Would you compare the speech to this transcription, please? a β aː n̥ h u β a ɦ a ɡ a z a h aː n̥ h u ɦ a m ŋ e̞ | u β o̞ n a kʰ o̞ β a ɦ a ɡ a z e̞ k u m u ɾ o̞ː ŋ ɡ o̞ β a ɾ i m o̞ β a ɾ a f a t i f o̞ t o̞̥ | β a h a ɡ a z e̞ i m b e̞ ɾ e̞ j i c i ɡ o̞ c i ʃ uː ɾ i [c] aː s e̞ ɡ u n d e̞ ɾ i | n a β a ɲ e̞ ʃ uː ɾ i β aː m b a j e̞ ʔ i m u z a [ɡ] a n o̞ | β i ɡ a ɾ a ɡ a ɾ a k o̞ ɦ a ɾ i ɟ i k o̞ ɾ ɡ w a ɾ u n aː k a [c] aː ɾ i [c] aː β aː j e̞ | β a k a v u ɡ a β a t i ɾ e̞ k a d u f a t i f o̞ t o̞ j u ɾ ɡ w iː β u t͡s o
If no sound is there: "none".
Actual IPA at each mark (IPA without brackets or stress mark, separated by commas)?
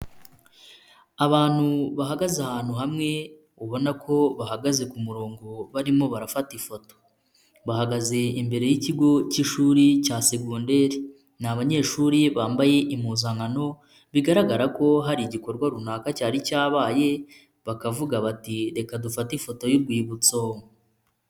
c, ŋ, c, c